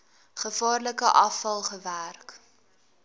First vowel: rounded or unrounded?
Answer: unrounded